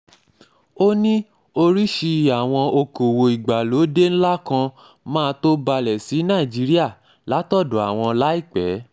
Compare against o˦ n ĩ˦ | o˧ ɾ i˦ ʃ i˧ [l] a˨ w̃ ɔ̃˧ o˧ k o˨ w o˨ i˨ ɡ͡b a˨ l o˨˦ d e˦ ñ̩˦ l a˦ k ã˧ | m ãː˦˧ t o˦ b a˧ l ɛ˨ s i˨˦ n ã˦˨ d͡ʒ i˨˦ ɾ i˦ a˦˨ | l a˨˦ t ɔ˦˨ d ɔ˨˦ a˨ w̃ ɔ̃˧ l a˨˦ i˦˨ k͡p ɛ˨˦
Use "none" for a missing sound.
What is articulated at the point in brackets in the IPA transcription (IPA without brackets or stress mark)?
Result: none